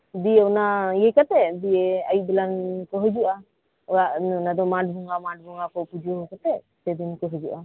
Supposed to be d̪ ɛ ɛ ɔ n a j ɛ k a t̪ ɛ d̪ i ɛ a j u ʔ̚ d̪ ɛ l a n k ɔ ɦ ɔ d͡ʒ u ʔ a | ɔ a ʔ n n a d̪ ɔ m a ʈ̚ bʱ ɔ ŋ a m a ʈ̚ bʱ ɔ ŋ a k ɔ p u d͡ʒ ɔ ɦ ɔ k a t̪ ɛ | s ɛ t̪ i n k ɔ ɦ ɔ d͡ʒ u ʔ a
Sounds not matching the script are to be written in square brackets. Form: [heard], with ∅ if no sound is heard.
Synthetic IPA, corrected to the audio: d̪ [i] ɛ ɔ n a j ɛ k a t̪ ɛ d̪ i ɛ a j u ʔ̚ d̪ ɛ l a n k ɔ ɦ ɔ d͡ʒ u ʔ a | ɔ a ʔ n n a d̪ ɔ m a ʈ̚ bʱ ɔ ŋ a m a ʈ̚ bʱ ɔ ŋ a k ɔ p u d͡ʒ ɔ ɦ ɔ k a t̪ ɛ | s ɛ [d̪] i n k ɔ ɦ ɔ d͡ʒ u ʔ a